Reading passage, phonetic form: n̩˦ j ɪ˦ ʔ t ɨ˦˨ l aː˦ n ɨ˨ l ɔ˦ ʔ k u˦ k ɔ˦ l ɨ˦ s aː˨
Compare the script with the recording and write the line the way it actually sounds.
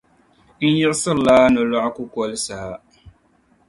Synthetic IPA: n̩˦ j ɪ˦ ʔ s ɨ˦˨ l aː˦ n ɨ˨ l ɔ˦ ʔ k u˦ k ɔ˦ l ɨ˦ s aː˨